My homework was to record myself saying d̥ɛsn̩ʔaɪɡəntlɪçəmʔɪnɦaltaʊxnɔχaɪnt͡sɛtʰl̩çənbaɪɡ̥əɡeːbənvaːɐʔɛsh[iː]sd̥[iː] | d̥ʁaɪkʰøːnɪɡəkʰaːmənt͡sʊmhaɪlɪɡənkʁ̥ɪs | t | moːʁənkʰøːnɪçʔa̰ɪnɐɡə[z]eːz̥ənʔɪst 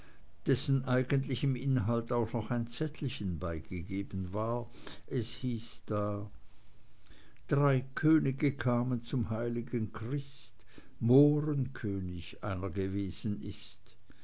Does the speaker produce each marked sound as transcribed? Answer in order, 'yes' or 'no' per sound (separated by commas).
yes, no, no